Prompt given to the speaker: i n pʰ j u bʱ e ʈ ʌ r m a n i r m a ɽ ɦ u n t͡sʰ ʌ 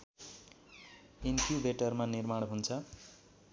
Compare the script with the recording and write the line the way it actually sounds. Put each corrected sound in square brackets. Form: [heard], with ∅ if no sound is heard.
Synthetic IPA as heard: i n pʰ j u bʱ e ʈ ʌ r m a n i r m a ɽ ɦ u n t͡sʰ ʌ